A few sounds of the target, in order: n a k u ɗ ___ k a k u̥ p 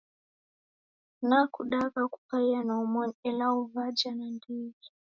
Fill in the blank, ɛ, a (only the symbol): a